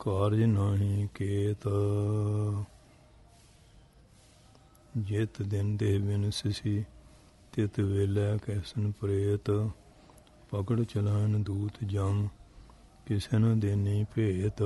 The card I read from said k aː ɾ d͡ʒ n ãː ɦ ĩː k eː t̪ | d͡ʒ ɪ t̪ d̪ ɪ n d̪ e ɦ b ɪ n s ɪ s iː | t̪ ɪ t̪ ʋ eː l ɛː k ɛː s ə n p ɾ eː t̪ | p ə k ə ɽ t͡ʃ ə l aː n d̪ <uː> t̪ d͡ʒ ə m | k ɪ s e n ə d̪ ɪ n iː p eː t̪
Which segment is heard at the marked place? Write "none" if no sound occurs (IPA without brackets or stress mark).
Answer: uː